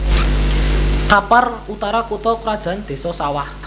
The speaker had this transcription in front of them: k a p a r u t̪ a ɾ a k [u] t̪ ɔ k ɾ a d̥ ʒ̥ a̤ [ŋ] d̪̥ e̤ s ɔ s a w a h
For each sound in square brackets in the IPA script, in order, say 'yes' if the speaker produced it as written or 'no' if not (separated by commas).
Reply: yes, no